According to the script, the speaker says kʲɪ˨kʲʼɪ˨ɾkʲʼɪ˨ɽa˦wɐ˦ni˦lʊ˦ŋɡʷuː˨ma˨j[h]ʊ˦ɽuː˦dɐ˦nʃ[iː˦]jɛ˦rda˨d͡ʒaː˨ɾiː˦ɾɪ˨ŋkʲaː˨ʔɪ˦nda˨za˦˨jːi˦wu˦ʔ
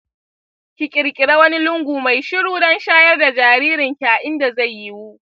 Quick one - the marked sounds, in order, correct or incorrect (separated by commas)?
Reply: incorrect, incorrect